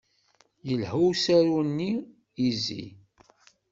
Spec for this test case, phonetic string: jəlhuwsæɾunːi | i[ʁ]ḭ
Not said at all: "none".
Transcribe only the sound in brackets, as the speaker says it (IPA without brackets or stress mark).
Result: z